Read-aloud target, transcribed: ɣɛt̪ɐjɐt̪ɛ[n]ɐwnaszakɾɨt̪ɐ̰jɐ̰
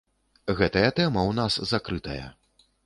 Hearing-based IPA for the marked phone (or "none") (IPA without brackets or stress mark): m